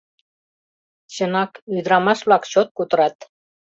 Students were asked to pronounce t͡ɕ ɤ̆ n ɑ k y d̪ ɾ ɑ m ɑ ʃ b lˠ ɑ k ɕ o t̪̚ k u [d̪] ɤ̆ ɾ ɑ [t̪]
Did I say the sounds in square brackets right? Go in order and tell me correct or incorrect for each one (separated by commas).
incorrect, correct